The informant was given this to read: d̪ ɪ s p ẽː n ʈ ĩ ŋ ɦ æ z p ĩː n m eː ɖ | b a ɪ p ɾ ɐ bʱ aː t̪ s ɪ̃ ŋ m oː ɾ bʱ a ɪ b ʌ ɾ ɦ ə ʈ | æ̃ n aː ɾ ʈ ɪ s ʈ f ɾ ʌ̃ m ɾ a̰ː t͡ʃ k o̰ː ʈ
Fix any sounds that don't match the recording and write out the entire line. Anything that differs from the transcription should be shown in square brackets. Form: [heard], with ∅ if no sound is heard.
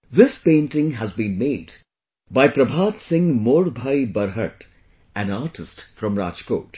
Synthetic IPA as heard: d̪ ɪ s p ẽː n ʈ [ɪ̃] ŋ ɦ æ z [b] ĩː n m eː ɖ | b a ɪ p ɾ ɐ bʱ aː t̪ s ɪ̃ ŋ m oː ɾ bʱ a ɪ b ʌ ɾ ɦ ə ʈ | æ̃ n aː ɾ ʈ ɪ s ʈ f ɾ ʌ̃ m ɾ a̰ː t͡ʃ k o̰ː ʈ